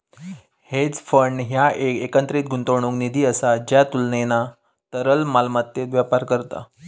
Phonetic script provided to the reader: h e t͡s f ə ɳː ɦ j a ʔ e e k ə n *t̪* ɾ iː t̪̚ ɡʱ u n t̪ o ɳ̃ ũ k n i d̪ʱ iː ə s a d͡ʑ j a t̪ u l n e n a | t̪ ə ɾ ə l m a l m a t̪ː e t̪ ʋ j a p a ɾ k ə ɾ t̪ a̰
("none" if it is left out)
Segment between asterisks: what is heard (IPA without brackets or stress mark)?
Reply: t̪